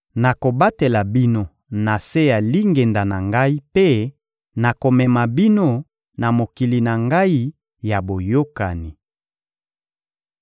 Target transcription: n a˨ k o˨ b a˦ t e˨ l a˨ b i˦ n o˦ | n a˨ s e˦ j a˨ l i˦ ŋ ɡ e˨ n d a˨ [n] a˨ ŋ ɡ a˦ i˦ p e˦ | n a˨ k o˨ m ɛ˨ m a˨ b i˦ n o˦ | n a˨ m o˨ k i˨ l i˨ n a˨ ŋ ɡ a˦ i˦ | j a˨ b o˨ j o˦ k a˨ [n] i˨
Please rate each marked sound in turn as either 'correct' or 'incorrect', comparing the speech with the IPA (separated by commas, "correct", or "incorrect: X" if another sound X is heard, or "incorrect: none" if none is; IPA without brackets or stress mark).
correct, correct